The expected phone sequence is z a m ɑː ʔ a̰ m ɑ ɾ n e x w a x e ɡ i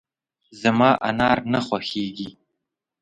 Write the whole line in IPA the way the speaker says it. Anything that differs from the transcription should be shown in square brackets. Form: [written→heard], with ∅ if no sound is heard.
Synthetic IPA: z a m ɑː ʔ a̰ [m→n] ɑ ɾ n [e→a] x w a x e ɡ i